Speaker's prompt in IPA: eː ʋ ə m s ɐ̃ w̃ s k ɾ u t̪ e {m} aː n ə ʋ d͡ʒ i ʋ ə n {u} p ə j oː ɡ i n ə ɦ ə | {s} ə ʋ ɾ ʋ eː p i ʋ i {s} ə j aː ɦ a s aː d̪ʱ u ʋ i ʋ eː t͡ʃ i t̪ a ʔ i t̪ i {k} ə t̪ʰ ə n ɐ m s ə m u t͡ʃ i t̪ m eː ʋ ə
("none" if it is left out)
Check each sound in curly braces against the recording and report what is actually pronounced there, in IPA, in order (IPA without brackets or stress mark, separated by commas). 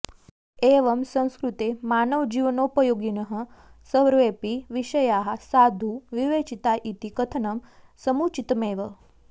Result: m, o, s, ʃ, k